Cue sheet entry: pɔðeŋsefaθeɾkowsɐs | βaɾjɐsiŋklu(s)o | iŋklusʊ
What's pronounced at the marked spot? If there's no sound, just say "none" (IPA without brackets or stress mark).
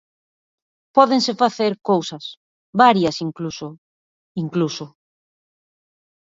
s